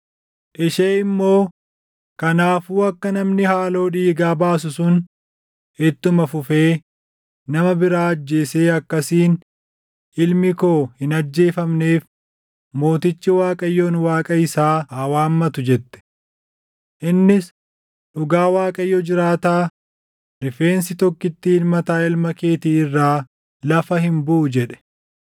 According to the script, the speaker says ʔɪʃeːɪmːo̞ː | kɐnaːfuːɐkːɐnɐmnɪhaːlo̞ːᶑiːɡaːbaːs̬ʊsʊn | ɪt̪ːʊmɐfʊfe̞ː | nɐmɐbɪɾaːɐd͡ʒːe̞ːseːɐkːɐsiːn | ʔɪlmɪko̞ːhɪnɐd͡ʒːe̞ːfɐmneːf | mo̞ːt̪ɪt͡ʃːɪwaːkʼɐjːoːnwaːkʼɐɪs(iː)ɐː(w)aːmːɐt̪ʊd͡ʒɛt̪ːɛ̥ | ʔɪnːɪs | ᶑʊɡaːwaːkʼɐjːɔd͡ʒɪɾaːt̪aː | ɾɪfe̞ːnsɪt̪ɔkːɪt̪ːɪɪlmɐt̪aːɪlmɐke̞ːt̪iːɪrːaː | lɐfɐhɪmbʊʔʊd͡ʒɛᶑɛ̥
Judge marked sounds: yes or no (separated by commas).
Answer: no, yes